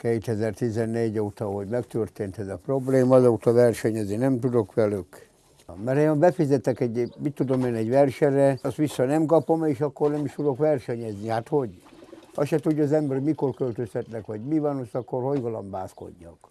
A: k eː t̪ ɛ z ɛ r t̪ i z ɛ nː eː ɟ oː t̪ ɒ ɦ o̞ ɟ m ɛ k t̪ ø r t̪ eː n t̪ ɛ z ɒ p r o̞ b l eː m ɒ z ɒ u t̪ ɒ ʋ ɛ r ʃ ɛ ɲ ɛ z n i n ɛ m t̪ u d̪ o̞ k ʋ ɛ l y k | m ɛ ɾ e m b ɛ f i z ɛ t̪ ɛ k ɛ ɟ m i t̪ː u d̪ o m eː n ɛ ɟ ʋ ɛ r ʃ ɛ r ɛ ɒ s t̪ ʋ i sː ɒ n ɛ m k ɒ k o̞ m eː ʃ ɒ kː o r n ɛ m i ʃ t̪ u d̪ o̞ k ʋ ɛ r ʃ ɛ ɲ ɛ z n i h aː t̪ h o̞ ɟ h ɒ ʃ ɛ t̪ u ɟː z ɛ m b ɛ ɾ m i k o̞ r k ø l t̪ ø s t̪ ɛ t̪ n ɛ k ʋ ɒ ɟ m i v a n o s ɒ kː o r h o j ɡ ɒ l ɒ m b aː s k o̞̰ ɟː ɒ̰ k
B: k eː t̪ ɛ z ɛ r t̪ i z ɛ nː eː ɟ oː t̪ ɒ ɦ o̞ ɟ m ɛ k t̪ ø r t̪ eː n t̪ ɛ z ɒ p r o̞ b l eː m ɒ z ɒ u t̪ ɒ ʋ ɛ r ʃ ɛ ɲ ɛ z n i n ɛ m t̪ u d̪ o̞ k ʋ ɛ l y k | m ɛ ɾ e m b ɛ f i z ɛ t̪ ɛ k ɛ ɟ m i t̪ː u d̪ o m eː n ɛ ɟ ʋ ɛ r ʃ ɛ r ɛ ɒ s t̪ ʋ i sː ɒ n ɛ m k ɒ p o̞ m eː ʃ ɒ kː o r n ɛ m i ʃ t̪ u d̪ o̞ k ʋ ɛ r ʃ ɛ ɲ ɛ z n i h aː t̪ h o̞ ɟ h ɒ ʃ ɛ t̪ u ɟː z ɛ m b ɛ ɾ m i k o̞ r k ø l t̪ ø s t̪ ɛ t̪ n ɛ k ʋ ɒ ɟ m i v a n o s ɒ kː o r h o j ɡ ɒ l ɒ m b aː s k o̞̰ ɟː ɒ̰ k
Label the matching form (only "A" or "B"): B